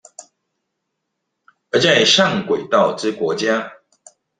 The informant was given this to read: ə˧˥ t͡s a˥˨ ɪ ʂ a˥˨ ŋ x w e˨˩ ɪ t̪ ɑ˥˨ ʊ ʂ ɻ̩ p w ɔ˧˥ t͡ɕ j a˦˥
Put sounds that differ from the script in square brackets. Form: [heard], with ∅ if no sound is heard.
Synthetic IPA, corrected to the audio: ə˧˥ t͡s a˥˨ ɪ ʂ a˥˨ ŋ [k] w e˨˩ ɪ t̪ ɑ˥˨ ʊ [ʈ͡ʂ] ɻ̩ [k] w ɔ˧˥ t͡ɕ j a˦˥